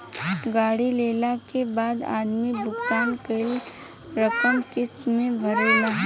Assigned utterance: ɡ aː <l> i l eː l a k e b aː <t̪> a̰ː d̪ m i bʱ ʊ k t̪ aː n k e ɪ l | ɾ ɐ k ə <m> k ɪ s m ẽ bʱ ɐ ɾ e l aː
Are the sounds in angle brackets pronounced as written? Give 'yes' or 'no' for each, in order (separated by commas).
no, no, yes